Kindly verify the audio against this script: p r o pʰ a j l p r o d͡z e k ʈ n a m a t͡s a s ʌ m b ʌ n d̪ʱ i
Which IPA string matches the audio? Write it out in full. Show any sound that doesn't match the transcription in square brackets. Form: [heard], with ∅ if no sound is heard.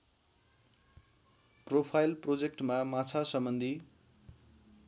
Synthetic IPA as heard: p r o pʰ a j l p r o d͡z e k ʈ [m] a m a [t͡sʰ] a s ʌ m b ʌ n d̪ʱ i